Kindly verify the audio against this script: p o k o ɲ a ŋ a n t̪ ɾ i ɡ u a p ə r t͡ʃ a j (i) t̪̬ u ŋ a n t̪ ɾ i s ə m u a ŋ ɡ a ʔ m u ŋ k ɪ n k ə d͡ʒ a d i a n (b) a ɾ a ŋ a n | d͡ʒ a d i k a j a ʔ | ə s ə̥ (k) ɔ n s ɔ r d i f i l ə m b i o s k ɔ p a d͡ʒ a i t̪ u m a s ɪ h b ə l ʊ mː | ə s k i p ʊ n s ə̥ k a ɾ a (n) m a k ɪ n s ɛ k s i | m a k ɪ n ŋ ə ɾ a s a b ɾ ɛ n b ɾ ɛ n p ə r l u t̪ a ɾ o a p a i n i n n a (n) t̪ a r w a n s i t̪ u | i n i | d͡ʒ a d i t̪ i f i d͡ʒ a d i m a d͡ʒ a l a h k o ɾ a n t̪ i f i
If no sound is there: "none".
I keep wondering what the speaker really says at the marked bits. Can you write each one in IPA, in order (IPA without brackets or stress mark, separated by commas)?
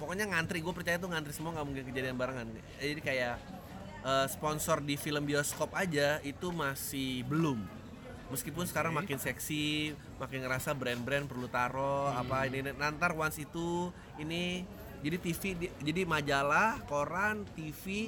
a, b, p, ŋ, n